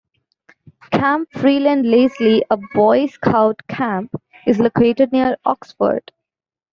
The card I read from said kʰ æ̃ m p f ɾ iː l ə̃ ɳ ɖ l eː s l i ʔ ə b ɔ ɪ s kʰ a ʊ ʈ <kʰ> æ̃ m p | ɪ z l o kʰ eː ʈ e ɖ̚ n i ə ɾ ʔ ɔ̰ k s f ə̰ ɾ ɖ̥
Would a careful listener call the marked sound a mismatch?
no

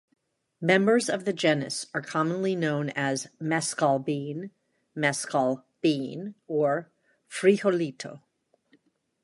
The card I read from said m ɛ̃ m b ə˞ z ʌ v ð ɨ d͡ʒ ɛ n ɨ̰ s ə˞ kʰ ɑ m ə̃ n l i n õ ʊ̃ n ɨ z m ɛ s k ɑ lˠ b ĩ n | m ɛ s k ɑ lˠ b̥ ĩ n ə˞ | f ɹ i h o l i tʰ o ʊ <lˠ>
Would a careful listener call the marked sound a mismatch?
yes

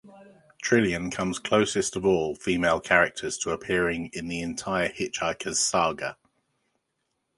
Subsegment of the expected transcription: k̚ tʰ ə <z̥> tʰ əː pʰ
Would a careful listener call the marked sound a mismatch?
no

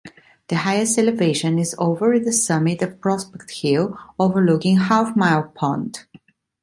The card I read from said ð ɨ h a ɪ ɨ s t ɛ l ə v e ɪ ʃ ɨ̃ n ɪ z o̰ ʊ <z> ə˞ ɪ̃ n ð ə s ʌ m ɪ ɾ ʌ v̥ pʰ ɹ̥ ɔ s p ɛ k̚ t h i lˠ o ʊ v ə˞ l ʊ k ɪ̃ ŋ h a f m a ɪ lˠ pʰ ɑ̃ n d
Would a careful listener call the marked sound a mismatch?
yes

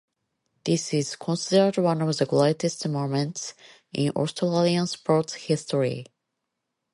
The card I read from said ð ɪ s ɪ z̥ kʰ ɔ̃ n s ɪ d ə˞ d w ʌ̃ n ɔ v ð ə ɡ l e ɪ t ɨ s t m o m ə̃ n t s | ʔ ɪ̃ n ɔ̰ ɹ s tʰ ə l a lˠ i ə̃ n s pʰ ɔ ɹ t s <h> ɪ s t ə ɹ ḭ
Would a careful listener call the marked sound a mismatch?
no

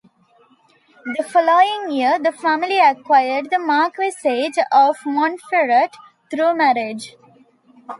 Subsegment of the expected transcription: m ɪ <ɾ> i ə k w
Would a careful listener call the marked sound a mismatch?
yes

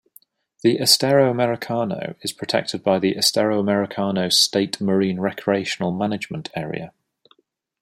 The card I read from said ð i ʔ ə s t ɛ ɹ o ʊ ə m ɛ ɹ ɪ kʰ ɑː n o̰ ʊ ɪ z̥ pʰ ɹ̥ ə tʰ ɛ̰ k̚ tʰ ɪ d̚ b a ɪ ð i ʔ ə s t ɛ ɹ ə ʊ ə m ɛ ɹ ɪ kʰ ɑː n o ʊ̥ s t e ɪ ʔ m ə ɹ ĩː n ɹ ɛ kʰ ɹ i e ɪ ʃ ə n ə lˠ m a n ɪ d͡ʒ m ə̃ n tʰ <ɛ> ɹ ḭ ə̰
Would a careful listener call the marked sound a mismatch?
yes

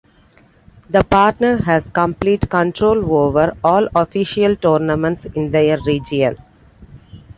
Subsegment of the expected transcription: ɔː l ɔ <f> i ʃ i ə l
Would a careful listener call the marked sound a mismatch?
no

